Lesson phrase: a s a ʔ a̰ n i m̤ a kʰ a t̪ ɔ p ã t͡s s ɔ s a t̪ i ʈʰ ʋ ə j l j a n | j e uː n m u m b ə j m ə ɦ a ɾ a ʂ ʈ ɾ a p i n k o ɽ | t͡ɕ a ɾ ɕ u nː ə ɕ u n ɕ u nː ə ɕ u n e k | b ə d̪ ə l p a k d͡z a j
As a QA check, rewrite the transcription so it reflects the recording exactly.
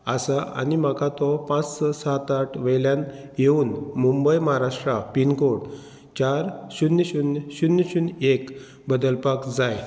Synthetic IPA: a s a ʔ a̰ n i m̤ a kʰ a t̪ ɔ p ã t͡s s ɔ s a t̪ a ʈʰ ʋ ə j l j a n | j e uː n m u m b ə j m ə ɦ a ɾ a ʂ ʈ ɾ a p i n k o ɽ | t͡ɕ a ɾ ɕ u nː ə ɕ u n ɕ u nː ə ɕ u n e k | b ə d̪ ə l p a k d͡z a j